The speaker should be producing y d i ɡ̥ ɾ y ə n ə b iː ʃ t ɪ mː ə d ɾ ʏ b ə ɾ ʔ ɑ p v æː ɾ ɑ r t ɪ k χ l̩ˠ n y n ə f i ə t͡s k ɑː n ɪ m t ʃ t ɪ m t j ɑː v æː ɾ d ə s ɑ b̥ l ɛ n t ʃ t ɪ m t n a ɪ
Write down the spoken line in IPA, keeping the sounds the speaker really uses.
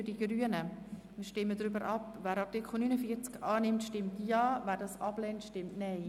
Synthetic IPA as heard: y d i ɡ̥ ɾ y ə n ə m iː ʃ t ɪ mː ə d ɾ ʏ b ə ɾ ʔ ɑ p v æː ɾ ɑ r t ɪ k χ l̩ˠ n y n ə f i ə t͡s k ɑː n ɪ m t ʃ t ɪ m t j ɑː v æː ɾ d ɑ s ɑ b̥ l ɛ n t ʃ t ɪ m t n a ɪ